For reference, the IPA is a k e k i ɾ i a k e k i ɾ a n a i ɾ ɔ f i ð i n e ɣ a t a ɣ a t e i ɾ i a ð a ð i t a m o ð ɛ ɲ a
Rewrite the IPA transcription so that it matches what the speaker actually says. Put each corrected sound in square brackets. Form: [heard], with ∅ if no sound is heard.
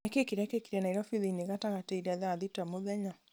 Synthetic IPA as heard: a k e k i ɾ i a k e k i ɾ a n a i ɾ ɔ f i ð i n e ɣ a t a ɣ a t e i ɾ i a ð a ð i t a m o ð ɛ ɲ a